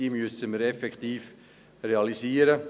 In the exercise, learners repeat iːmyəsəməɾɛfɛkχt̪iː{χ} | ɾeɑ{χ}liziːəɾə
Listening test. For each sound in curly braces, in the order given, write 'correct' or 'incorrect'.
incorrect: f, incorrect: none

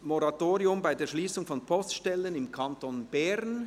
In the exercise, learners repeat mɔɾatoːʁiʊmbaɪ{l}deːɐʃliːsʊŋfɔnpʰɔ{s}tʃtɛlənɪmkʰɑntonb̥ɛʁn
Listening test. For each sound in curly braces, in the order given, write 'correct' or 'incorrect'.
incorrect: none, correct

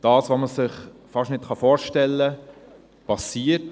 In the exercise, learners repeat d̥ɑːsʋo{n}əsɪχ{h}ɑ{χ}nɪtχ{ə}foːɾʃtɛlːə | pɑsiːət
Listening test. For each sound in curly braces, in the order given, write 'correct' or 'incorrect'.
incorrect: m, incorrect: f, incorrect: ʃ, incorrect: ɑ

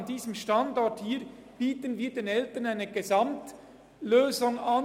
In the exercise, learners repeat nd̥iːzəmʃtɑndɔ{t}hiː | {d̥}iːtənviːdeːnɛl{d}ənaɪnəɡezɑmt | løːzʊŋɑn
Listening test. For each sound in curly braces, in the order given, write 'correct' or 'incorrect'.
correct, incorrect: b̥, incorrect: t

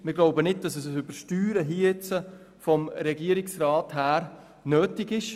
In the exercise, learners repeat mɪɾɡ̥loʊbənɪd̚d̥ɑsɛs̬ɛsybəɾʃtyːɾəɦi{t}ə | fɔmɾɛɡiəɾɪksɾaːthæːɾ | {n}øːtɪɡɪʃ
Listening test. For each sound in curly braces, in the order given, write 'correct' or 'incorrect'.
incorrect: t͡s, correct

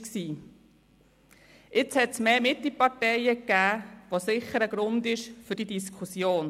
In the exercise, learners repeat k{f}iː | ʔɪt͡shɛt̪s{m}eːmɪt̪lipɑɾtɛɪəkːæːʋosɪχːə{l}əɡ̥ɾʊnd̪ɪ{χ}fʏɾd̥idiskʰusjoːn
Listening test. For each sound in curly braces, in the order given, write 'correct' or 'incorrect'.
incorrect: s, correct, incorrect: ɾ, incorrect: ʃ

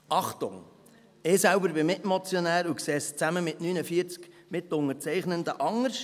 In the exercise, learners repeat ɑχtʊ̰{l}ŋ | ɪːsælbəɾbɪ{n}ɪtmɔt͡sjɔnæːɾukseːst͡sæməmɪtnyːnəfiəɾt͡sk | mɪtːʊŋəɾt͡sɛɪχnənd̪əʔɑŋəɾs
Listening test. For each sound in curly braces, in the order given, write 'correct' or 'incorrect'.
incorrect: none, incorrect: m

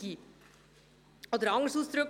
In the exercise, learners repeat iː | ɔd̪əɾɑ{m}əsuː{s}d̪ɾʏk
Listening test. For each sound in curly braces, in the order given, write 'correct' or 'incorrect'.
incorrect: ŋ, correct

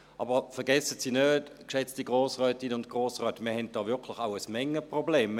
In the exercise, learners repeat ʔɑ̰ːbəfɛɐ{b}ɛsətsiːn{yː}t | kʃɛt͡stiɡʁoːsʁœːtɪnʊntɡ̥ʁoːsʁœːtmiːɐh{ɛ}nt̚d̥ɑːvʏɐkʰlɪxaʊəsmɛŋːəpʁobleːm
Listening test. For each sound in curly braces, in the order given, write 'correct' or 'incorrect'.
incorrect: ɡ, incorrect: øː, correct

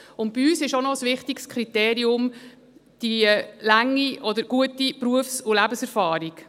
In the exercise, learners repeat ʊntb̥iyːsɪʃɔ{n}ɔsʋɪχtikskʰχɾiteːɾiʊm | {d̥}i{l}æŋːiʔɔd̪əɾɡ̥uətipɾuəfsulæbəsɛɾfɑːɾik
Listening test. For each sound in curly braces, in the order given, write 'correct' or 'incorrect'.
correct, correct, correct

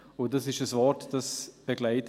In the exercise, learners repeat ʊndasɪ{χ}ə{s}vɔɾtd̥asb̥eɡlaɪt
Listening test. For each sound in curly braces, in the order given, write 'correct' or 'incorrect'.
incorrect: ʃ, correct

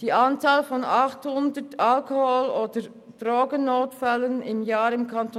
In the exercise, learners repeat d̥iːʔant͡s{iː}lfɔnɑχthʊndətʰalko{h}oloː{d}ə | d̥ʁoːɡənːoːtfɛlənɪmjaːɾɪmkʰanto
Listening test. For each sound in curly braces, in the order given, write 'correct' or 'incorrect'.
incorrect: aː, correct, correct

